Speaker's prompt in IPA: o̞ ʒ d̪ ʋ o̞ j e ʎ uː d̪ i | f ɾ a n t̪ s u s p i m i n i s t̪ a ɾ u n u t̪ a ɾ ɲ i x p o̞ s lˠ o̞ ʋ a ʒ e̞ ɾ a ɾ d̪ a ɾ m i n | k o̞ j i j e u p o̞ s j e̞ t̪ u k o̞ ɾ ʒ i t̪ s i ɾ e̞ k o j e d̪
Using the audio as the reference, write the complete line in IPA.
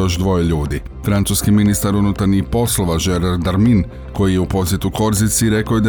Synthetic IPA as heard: o̞ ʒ d̪ ʋ o̞ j e ʎ uː d̪ i | f ɾ a n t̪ s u s k i m i n i s t̪ a ɾ u n u t̪ a ɾ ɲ i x p o̞ s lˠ o̞ ʋ a ʒ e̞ ɾ a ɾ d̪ a ɾ m i n | k o̞ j i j e u p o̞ s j e̞ t̪ u k o̞ ɾ z i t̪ s i ɾ e̞ k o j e d̪